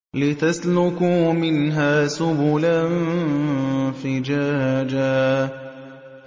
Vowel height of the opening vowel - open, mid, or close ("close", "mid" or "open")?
close